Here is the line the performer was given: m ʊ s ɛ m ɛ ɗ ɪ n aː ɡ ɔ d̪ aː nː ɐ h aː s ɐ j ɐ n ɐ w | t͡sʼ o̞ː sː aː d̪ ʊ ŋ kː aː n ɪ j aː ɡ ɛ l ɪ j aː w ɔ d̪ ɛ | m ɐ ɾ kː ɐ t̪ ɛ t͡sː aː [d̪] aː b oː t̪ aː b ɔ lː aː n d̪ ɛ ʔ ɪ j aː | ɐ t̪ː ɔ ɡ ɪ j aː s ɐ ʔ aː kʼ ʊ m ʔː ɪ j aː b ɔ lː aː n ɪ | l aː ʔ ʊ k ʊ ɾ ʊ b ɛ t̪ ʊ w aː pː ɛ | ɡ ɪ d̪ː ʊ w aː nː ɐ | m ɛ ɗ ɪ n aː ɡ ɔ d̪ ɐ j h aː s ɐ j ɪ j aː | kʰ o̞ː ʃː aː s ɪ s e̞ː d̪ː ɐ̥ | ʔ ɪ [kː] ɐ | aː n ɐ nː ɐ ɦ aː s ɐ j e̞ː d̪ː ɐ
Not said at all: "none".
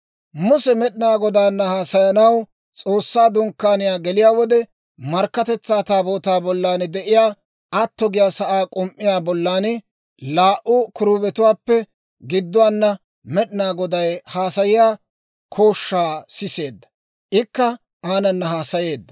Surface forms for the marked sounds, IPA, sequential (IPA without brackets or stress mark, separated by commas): t̪, kː